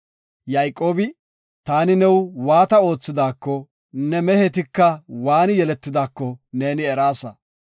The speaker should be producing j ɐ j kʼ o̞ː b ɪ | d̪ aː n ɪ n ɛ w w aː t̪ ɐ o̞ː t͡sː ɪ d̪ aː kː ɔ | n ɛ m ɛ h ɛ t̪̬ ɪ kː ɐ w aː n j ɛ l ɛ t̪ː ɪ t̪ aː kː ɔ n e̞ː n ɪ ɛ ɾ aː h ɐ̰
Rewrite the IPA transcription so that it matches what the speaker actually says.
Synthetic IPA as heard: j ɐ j kʼ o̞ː b ɪ | t̪ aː n ɪ n ɛ w w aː t̪ ɐ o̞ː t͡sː ɪ d̪ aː kː ɔ | n ɛ m ɛ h ɛ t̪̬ ɪ kː ɐ w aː n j ɛ l ɛ t̪ː ɪ d̪ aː kː ɔ n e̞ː n ɪ ɛ ɾ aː s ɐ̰